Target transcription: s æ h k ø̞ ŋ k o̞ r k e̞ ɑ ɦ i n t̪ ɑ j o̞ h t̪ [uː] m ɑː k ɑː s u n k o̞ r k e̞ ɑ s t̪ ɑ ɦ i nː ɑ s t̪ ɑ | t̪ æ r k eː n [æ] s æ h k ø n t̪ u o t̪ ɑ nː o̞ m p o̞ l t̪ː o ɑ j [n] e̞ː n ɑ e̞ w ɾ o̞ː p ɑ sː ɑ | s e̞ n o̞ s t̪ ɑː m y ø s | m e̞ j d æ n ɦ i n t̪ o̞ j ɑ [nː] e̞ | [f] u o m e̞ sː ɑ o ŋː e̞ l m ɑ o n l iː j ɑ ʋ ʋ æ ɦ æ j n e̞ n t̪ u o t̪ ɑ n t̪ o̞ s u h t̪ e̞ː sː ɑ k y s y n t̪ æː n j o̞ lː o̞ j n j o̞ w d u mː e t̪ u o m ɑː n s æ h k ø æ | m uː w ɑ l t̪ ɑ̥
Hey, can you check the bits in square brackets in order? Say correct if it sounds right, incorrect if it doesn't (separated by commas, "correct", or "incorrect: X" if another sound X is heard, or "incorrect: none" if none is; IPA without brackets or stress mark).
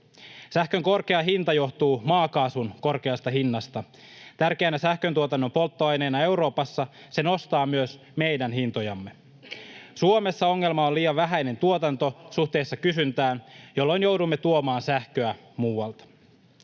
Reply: correct, correct, correct, incorrect: mː, incorrect: s